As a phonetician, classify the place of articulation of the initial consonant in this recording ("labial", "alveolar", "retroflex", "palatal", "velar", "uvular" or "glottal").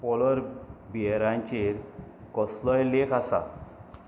labial